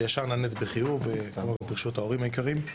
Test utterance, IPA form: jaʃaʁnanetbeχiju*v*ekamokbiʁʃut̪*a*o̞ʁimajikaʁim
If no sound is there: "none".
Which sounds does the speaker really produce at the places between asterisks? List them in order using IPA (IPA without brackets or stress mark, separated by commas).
v, a